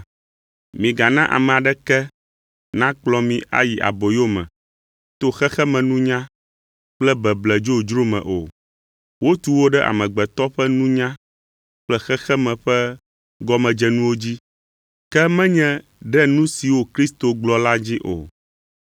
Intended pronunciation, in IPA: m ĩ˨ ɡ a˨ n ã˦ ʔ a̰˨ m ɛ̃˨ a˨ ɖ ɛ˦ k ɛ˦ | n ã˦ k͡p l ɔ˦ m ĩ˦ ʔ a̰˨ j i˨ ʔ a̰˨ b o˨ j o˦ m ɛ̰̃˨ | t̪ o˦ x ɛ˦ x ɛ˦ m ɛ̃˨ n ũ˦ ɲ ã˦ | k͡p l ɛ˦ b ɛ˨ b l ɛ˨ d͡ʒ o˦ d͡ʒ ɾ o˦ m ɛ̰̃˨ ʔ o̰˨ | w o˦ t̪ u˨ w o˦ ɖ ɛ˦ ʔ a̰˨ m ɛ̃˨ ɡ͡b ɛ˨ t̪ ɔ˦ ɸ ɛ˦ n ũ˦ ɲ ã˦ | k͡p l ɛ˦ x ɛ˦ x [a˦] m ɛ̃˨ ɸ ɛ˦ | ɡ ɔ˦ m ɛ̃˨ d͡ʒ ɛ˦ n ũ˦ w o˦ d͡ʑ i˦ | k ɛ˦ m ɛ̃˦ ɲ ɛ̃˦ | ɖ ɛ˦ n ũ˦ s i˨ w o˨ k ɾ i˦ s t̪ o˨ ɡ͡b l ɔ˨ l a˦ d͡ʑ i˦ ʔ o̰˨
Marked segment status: incorrect: ɛ˦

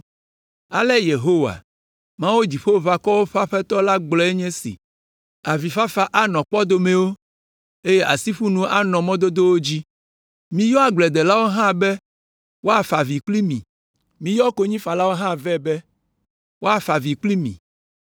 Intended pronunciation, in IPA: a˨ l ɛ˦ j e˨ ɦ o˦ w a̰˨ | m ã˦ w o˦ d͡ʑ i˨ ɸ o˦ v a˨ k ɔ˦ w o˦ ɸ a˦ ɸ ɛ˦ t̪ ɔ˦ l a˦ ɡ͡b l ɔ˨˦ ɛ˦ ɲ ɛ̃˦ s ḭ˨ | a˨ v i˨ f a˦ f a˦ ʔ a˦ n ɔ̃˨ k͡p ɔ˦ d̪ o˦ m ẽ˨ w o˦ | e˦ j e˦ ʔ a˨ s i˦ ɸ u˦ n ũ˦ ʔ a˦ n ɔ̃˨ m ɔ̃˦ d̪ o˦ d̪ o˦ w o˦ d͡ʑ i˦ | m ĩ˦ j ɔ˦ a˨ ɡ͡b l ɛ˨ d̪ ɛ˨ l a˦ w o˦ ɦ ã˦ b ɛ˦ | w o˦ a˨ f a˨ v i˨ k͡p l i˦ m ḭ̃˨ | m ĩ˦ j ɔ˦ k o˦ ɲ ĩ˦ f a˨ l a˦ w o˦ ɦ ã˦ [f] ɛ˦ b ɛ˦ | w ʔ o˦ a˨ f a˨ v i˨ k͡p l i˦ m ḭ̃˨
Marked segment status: incorrect: v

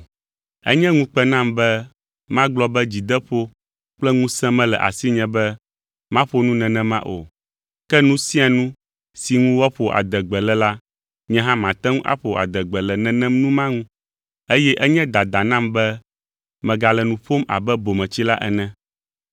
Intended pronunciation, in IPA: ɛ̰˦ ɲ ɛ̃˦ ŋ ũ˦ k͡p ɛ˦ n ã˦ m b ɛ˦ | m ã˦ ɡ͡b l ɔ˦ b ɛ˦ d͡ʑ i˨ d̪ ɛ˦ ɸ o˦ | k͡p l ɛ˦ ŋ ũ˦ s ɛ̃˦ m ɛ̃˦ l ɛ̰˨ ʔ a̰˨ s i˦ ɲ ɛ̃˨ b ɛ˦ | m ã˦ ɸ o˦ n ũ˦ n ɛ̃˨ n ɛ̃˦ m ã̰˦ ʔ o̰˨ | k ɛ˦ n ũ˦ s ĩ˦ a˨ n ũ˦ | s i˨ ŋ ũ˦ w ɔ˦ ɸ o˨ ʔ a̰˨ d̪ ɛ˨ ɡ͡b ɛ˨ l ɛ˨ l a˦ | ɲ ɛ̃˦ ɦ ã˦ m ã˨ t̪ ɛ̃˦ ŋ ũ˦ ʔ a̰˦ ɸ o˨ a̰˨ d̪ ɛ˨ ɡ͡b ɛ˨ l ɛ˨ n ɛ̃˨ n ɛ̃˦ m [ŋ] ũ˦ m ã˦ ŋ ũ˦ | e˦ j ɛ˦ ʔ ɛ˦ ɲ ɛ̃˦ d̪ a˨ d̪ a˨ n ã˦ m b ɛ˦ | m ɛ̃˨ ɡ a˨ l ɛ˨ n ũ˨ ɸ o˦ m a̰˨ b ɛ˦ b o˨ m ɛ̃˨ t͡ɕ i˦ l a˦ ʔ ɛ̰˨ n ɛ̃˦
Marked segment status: incorrect: n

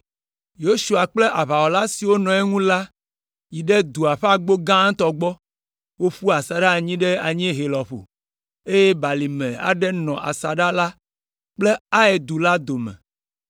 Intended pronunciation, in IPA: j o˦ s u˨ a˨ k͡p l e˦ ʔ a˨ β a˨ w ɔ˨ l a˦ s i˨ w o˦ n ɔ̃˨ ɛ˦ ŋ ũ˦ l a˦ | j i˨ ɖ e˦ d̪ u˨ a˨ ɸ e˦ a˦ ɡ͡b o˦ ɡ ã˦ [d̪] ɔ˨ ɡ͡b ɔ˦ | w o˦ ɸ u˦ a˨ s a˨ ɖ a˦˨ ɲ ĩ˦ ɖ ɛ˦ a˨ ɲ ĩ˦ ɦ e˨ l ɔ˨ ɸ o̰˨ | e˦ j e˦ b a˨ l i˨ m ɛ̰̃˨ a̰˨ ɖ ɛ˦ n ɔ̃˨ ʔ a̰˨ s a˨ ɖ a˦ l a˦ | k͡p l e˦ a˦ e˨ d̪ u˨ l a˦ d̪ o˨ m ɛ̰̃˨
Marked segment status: incorrect: t̪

